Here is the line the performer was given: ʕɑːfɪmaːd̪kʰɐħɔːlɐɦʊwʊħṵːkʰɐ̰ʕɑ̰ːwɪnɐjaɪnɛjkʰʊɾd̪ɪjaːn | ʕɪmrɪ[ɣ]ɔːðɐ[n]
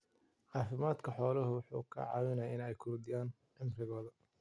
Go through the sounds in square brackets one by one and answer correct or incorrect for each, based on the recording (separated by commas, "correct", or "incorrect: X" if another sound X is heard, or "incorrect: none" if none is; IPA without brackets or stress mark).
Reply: correct, incorrect: none